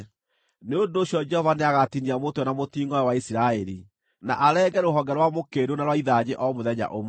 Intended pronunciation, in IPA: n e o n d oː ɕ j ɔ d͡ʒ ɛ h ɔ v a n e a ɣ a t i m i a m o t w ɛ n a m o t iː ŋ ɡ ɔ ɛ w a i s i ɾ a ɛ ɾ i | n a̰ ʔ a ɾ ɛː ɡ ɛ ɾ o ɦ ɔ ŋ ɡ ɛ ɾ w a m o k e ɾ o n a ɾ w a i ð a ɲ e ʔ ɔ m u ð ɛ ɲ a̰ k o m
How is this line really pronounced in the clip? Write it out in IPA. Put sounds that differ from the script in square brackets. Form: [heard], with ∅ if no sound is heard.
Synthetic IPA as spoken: n e o n d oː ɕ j ɔ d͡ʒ ɛ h ɔ v a n e a ɣ a t i [n] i a m o t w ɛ n a m o t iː ŋ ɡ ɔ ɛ w a i s i ɾ a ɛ ɾ i | n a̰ ʔ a ɾ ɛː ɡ ɛ ɾ o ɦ ɔ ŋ ɡ ɛ ɾ w a m o k e ɾ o n a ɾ w a i ð a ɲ e ʔ ɔ m [o] ð ɛ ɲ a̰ [ʔ] o m